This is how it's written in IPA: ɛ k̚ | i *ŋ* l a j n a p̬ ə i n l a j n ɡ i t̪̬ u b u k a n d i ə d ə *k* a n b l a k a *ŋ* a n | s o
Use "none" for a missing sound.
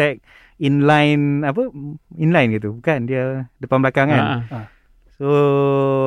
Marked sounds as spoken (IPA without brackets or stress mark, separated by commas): n, p, ŋ